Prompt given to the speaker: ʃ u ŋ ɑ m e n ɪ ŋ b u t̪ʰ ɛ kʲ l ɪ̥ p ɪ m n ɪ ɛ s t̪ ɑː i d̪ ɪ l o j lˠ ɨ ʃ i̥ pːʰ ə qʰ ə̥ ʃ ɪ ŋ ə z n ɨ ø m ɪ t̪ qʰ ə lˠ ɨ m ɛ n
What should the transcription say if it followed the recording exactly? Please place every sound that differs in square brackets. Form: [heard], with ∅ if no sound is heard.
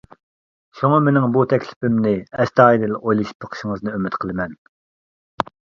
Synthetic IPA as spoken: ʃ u ŋ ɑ m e n ɪ ŋ b u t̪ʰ ɛ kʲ l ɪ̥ p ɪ m n ɪ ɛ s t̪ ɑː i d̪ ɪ l o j lˠ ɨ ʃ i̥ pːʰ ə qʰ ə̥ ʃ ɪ ŋ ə z n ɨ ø m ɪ t̪ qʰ ə lˠ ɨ m ɛ n